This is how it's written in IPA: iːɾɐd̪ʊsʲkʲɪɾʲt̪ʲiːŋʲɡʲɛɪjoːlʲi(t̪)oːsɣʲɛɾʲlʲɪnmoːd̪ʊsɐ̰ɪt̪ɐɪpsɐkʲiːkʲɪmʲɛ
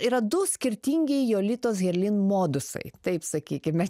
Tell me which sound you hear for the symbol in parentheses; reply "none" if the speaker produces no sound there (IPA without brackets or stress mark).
t̪